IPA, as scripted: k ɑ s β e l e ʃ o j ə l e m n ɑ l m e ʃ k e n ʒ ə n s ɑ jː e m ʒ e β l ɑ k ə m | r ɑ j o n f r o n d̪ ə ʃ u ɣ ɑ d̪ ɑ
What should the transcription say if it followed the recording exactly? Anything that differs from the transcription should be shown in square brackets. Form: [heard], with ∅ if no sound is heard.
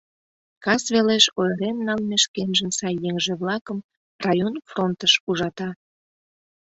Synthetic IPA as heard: k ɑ s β e l e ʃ o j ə [ɾ] e m n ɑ l m e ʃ k e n ʒ ə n s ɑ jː e [ŋ] ʒ e β l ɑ k ə m | r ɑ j o n f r o n [t̪] ə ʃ u [ʒ] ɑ [t̪] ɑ